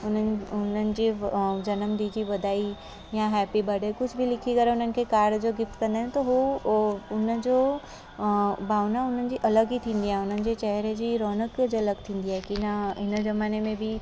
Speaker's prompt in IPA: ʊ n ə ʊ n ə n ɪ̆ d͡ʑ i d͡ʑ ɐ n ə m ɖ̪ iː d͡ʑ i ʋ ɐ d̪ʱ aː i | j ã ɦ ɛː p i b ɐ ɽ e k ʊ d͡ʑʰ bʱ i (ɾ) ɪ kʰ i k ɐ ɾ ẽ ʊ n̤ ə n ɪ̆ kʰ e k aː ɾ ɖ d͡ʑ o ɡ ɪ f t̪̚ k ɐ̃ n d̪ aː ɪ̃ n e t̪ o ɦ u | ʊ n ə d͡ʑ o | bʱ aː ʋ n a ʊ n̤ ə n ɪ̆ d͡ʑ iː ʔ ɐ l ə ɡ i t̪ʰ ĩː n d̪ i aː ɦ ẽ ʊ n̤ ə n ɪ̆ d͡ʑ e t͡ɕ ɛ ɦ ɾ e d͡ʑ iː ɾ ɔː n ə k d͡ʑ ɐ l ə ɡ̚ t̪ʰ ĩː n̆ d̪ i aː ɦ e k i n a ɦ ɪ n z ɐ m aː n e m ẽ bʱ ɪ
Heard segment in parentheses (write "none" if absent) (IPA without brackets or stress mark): l